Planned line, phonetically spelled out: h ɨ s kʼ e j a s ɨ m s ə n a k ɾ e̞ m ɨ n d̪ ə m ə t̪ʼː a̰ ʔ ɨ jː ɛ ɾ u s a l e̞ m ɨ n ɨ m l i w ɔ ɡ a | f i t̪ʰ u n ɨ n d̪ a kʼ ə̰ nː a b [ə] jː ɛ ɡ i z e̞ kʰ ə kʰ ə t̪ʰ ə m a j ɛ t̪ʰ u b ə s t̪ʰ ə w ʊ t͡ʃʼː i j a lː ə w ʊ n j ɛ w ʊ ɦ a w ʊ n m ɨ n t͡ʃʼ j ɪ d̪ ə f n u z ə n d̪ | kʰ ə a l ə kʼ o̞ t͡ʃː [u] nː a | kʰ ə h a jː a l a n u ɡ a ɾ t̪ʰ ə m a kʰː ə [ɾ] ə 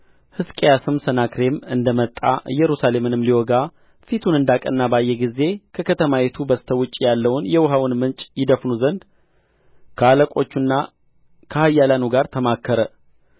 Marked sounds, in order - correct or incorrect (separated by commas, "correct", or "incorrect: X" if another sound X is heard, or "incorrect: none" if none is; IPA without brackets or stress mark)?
incorrect: a, correct, correct